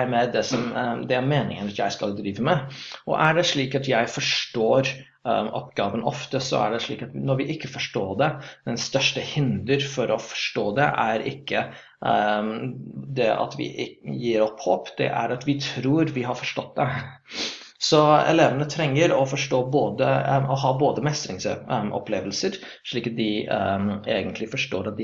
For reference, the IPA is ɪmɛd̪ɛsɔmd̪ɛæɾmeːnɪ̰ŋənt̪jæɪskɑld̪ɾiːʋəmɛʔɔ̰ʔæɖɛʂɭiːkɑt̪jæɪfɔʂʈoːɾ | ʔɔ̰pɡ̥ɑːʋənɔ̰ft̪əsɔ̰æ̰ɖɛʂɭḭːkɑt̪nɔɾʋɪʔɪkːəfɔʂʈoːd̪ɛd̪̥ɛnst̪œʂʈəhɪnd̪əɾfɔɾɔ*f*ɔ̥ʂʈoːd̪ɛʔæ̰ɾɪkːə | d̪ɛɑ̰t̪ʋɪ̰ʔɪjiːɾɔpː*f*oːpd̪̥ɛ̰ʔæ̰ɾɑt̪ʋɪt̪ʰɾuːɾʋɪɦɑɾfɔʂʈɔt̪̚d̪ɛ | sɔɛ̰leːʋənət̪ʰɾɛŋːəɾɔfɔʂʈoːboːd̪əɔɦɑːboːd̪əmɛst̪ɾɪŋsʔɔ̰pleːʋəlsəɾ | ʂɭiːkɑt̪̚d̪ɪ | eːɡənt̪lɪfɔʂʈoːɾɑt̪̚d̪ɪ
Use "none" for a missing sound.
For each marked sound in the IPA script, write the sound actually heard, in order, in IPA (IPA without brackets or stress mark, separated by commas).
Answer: f, h